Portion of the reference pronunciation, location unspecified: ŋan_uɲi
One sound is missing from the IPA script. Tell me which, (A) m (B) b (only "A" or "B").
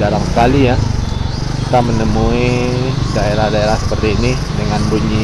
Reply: B